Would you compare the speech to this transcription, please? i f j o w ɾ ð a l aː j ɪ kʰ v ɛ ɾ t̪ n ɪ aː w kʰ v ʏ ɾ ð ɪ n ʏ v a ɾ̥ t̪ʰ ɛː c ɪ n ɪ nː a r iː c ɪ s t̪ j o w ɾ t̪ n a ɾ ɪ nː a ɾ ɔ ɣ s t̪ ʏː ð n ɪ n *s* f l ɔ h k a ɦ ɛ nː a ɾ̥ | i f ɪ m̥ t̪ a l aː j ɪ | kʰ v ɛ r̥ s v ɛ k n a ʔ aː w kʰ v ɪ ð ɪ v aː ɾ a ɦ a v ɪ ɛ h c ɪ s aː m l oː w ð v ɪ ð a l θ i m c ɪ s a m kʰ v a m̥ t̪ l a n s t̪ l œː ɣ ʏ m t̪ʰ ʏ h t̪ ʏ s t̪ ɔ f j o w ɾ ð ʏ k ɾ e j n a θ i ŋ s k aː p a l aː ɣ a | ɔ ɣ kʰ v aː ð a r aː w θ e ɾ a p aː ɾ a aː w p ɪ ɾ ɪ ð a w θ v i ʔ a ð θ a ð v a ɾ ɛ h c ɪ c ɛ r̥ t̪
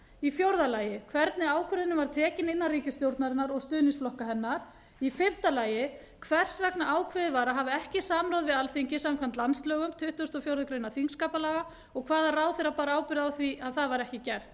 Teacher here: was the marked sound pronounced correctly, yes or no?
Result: yes